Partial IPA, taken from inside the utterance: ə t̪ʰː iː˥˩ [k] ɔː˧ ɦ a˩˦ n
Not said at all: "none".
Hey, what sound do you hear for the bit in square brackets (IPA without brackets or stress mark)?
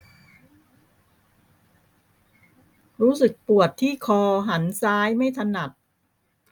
kʰ